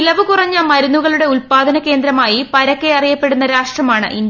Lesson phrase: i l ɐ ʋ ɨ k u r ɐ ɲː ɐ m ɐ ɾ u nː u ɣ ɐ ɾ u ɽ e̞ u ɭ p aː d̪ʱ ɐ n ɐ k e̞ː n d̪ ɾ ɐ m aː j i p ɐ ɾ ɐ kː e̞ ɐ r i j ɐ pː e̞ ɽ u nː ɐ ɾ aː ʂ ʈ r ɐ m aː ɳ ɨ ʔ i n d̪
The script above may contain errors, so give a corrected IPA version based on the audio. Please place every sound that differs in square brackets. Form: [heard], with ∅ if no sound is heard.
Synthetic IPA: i l ɐ ʋ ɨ k u r ɐ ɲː ɐ m ɐ ɾ u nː u ɣ ɐ [ɭ] u ɽ e̞ u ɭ p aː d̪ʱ ɐ n ɐ k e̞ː n d̪ ɾ ɐ m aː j i p ɐ ɾ ɐ kː e̞ ɐ r i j ɐ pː e̞ ɽ u nː ɐ ɾ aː ʂ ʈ r ɐ m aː ɳ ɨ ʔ i n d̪